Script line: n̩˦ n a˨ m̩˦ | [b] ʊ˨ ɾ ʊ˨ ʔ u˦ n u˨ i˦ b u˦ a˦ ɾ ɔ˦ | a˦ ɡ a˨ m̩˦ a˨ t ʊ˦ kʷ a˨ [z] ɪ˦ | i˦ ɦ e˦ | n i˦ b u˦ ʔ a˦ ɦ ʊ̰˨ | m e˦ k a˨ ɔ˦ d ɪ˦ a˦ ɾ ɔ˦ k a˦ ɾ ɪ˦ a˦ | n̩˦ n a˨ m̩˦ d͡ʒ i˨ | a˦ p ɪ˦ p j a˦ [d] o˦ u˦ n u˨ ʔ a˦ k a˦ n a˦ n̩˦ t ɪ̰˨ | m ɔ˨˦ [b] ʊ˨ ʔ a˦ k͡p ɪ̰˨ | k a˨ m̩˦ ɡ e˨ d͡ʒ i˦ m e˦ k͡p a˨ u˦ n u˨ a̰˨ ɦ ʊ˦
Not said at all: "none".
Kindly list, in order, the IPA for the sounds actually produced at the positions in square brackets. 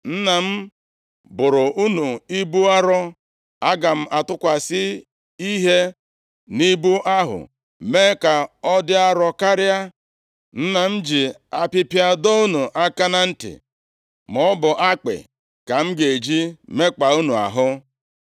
b, s, d, b

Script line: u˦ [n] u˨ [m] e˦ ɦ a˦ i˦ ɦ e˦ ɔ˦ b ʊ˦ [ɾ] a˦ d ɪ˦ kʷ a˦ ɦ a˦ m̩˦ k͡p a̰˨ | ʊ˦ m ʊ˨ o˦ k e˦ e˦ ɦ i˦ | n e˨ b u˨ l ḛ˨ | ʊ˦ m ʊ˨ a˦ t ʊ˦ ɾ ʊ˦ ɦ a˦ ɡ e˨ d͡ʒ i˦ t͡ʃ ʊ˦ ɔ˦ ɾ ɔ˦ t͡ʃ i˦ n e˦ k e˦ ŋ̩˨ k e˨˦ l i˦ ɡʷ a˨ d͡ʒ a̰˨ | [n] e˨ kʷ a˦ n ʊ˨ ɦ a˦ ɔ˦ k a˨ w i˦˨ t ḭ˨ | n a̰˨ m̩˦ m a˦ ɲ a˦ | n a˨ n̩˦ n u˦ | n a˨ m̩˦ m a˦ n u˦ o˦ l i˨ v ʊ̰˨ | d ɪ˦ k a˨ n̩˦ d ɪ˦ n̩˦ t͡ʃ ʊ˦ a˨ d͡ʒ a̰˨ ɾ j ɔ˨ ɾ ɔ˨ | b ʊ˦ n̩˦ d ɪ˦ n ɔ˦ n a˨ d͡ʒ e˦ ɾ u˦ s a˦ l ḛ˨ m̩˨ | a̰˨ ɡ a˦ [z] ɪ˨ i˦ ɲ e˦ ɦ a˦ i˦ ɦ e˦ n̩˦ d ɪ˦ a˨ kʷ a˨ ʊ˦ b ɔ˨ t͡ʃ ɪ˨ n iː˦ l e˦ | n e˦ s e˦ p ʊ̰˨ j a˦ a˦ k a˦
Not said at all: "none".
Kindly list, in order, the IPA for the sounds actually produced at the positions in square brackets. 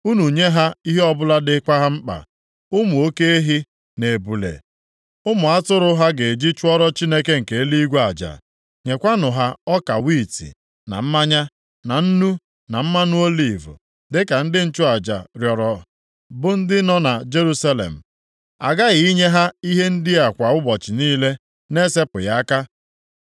n, ɲ, l, ɲ, ɣ

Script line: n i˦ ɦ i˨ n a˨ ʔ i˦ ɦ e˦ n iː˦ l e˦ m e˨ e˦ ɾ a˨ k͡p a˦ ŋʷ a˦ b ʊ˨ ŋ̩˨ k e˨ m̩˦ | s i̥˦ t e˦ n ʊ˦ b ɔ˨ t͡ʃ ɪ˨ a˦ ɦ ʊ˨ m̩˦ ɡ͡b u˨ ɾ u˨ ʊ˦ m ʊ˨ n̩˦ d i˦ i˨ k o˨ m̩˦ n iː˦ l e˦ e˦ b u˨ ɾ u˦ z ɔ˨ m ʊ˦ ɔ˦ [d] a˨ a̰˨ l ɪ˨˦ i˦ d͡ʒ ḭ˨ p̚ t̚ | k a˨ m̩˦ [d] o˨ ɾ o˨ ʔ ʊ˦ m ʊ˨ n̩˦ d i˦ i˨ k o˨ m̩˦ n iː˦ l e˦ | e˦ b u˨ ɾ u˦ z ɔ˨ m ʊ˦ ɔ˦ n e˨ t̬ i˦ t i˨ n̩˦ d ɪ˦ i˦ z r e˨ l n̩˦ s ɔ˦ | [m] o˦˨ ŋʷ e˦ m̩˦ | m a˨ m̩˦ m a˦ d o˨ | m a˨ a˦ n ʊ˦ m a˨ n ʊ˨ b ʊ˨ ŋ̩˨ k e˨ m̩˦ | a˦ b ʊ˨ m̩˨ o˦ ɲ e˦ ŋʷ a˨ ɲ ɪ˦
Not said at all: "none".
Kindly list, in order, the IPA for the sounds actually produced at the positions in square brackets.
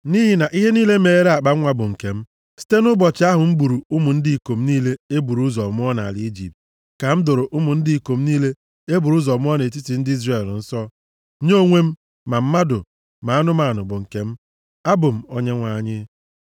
n, d, ɲ

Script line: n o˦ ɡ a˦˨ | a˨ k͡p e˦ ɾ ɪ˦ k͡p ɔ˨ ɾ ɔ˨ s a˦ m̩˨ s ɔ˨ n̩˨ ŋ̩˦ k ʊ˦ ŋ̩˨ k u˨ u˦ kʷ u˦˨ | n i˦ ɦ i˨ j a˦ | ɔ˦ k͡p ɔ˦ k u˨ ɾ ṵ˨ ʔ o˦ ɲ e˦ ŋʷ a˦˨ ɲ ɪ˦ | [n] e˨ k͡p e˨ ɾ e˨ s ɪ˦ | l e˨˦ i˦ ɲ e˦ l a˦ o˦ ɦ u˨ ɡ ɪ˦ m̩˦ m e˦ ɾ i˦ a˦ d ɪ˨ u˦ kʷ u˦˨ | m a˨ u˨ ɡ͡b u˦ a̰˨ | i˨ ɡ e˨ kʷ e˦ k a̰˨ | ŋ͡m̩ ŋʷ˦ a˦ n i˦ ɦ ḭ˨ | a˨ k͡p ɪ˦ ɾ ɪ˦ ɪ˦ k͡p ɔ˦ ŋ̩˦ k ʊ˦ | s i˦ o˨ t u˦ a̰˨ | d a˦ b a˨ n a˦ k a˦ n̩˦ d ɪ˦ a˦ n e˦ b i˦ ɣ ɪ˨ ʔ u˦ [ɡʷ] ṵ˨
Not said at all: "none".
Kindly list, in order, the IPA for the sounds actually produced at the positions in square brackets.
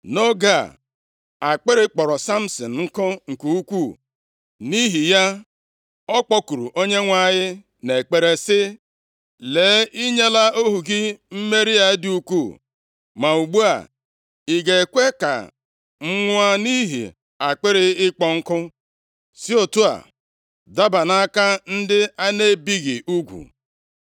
n, ɡʷ

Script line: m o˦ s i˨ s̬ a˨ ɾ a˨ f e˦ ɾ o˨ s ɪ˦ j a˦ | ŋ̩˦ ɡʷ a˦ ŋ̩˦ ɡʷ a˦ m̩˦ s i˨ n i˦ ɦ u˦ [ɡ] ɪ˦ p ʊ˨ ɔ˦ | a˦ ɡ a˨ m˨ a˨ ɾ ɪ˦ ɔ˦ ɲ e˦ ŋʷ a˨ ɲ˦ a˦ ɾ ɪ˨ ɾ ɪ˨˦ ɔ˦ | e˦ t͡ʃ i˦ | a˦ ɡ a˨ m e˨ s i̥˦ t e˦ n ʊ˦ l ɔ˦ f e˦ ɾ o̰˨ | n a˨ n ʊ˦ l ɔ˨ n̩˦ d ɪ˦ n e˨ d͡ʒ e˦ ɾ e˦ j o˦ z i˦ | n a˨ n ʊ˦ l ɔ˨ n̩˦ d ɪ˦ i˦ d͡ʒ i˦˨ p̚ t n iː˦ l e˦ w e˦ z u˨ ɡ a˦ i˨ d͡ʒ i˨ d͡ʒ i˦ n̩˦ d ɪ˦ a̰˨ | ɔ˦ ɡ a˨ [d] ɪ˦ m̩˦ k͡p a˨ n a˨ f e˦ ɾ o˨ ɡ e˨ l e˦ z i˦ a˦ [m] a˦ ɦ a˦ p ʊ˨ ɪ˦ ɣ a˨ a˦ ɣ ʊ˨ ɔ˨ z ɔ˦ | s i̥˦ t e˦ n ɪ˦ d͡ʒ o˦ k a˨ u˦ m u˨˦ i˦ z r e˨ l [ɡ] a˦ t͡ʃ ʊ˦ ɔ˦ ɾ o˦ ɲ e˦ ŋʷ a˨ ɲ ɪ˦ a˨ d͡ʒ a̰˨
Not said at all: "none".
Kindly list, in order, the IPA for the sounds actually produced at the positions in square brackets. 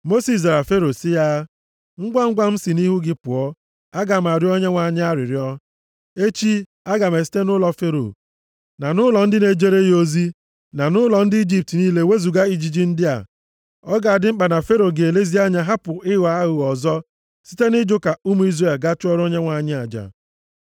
ɡ, d, ɲ, ɡ

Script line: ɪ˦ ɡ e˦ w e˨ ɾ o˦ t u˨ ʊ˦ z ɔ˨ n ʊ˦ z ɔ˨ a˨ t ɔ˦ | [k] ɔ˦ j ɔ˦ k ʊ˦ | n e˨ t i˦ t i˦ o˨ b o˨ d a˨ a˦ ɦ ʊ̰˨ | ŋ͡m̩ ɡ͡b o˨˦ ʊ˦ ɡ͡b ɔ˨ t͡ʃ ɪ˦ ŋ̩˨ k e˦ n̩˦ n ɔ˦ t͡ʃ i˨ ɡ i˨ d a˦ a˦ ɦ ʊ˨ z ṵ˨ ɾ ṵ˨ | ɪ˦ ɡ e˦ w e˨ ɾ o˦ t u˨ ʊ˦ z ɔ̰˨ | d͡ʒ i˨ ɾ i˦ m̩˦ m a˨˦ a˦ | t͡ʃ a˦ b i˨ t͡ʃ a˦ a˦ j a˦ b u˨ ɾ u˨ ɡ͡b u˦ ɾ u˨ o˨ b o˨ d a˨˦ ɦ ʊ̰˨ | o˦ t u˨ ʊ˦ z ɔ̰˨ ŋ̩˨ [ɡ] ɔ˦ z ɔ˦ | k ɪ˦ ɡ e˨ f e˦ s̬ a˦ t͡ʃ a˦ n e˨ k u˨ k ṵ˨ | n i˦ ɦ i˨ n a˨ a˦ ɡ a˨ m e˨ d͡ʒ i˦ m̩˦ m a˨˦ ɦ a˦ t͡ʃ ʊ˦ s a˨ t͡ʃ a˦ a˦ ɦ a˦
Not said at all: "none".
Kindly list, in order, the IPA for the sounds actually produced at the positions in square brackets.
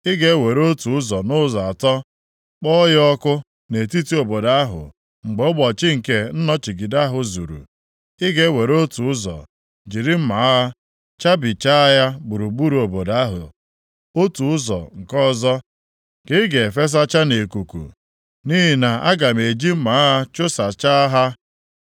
k͡p, k

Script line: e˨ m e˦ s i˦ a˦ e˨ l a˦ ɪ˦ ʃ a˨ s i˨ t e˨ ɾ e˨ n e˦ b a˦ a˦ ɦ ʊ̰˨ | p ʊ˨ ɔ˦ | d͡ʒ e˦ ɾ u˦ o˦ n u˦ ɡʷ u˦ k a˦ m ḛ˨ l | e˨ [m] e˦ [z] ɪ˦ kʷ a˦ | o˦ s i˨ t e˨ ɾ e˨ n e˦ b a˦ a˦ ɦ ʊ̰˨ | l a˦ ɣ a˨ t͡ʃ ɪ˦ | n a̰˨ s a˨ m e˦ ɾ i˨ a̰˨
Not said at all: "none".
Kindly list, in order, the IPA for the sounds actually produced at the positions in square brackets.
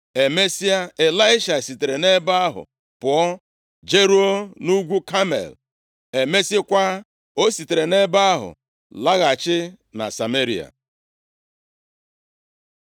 m, s

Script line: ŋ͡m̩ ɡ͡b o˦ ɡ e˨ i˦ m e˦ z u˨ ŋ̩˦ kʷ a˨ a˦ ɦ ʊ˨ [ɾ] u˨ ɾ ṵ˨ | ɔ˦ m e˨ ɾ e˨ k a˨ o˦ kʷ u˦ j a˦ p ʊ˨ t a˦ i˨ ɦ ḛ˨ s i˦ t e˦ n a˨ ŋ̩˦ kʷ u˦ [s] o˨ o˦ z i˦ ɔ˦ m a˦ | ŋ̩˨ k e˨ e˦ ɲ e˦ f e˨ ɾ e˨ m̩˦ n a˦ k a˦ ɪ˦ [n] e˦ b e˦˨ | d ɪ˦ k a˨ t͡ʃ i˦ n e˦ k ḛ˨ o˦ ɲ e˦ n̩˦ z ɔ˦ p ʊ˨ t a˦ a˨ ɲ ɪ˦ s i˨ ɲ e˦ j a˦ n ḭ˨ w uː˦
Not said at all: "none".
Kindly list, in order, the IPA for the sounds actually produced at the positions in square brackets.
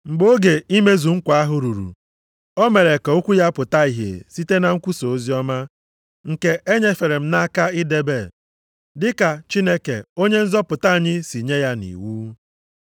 ɾ, s, d

